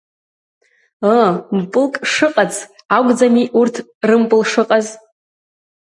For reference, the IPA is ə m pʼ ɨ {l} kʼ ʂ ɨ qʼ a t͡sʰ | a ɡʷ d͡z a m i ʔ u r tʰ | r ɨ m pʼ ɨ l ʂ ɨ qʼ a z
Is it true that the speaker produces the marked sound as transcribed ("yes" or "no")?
yes